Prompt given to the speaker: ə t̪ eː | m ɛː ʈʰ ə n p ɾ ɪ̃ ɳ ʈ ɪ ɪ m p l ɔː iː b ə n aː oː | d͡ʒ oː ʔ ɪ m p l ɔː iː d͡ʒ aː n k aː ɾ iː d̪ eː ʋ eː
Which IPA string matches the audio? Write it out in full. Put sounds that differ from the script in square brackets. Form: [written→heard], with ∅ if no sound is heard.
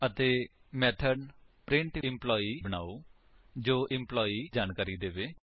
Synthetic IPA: ə t̪ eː | m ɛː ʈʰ ə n p ɾ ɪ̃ ɳ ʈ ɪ ɪ m p l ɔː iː b ə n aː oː | d͡ʒ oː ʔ ɪ m p l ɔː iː d͡ʒ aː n k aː ɾ iː d̪ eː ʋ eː